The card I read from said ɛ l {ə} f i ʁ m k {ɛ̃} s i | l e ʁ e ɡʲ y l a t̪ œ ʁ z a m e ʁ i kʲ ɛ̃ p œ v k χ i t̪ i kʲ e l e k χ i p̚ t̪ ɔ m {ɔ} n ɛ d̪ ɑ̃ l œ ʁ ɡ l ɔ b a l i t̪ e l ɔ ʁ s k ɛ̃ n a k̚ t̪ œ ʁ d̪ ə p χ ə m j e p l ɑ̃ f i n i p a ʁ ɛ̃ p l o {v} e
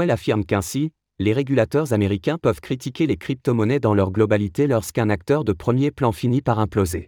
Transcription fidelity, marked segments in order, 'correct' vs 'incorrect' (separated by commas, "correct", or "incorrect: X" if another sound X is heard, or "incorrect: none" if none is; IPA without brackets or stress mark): incorrect: a, correct, correct, incorrect: z